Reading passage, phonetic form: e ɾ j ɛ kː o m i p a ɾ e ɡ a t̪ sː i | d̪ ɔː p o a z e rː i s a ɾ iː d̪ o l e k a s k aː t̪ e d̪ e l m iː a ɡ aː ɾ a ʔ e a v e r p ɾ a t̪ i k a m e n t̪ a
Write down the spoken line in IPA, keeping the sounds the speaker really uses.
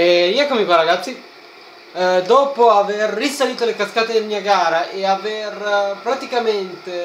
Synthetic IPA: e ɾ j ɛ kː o m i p a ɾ a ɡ a t̪ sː i | d̪ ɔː p o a v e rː i s a l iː t̪ o l e k a s k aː t̪ e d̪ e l m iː a ɡ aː ɾ a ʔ e a v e r p ɾ a t̪ i k a m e n t̪ e